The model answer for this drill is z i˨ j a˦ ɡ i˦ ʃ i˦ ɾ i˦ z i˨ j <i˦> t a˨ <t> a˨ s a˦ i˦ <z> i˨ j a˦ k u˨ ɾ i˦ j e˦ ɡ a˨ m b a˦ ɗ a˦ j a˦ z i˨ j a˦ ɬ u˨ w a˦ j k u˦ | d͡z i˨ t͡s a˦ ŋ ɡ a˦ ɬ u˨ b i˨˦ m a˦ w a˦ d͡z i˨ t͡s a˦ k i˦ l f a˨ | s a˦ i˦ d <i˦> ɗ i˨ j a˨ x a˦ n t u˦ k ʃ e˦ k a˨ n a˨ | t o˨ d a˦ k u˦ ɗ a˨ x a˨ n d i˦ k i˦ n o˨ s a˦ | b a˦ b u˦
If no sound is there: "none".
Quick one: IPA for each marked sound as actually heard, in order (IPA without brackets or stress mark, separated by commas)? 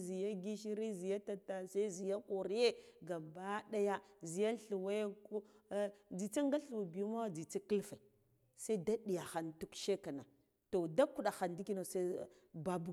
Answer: a˦, t, z, a˦